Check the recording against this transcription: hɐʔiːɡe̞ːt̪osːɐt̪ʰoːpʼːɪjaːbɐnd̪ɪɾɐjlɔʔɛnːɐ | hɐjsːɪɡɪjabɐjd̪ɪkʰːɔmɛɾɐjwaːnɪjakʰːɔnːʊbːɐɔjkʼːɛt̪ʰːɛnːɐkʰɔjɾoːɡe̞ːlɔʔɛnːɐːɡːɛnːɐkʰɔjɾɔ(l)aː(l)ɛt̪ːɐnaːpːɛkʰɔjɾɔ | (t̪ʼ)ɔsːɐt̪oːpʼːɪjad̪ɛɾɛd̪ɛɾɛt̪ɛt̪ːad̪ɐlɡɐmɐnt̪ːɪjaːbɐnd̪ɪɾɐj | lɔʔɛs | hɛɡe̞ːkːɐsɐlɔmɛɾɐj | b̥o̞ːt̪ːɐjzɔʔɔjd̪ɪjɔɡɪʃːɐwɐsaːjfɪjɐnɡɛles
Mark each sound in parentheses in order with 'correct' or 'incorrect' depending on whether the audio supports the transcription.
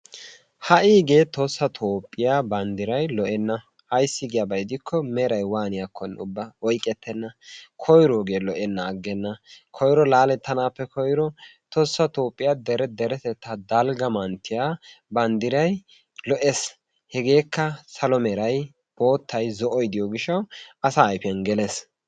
correct, correct, incorrect

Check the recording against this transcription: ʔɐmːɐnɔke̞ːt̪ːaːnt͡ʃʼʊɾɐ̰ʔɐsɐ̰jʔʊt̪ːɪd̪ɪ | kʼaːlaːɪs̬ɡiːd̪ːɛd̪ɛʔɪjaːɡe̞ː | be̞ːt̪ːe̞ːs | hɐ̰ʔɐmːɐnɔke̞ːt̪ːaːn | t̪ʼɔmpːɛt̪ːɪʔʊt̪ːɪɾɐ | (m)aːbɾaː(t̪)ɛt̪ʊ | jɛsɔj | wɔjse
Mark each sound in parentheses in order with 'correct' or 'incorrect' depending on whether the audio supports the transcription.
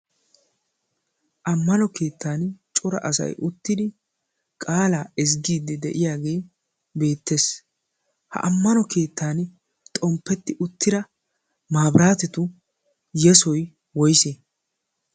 correct, correct

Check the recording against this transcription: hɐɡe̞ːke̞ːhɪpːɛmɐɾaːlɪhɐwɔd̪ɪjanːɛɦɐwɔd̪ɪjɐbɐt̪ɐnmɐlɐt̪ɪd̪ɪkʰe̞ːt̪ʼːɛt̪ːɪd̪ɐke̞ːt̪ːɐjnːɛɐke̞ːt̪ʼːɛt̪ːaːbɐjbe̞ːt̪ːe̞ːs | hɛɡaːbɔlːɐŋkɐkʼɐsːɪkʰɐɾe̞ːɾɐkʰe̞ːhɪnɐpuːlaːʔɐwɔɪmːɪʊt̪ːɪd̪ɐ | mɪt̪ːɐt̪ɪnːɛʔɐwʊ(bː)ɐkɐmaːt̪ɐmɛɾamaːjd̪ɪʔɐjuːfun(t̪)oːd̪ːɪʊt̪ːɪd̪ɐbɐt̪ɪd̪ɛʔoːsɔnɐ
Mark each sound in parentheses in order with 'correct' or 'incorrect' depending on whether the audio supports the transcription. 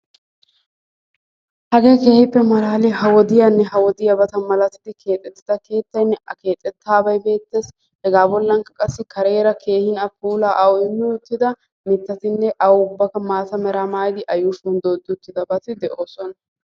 correct, incorrect

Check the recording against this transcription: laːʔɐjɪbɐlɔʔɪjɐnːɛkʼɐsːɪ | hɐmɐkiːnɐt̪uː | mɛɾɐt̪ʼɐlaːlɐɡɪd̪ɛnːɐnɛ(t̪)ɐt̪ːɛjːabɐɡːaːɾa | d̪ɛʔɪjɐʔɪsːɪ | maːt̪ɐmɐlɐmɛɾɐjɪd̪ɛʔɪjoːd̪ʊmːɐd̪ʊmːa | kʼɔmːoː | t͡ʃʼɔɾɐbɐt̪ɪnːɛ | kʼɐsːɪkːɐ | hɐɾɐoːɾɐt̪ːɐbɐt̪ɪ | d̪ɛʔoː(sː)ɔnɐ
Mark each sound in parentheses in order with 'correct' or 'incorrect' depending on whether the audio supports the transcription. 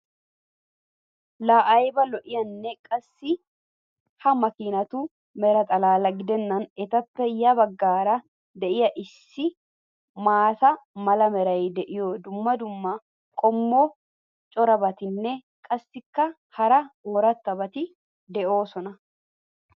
correct, incorrect

